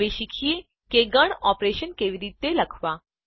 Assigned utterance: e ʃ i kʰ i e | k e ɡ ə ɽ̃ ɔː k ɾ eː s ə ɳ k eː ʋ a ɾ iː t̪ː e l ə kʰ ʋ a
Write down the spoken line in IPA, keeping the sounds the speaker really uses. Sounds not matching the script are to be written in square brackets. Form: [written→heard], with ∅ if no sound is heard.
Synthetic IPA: e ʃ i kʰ i e | k e ɡ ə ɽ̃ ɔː [k→p] ɾ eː [s→ʃ] ə [ɳ→n] k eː ʋ [a→i] ɾ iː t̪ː e l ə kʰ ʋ a